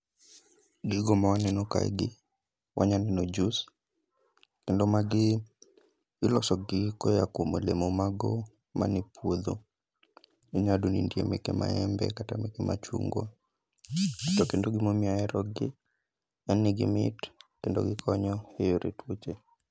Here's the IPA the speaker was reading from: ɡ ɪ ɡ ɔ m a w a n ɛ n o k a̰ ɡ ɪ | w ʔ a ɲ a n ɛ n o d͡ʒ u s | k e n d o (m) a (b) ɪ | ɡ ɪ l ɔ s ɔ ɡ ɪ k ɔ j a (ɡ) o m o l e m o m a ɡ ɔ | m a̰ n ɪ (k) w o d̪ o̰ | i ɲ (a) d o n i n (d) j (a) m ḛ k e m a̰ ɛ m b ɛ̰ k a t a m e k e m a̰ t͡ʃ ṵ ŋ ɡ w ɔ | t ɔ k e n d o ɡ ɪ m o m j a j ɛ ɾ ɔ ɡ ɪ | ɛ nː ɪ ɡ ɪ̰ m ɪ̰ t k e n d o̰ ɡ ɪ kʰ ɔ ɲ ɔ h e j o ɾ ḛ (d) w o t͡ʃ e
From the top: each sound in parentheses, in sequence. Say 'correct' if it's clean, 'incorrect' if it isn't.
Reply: correct, incorrect, incorrect, incorrect, correct, correct, incorrect, incorrect

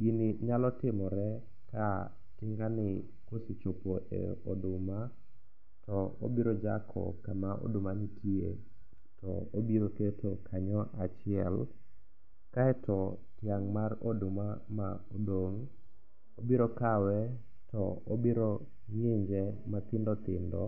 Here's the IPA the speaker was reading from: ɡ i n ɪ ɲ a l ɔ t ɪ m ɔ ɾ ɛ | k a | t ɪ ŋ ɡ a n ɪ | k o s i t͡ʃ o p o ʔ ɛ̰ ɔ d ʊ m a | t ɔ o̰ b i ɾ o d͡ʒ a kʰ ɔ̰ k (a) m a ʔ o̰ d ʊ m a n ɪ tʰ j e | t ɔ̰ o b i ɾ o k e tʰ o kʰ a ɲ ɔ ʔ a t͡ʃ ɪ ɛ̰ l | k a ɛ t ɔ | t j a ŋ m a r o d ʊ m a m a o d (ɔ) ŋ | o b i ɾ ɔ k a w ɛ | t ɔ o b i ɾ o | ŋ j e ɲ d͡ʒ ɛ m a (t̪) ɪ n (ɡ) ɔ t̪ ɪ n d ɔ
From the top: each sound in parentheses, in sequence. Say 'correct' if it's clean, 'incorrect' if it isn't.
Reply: correct, incorrect, correct, incorrect

